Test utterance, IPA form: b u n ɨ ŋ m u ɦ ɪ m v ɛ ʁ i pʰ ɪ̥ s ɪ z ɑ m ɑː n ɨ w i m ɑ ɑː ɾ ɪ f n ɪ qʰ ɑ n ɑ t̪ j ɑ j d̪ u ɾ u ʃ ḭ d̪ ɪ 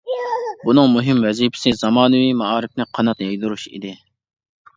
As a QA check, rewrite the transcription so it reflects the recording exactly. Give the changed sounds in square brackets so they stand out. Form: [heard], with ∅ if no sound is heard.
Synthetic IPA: b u n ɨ ŋ m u ɦ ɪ m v ɛ [z] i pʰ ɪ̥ s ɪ z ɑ m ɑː n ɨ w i m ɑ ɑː ɾ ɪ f n ɪ qʰ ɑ n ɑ t̪ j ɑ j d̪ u ɾ u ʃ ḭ d̪ ɪ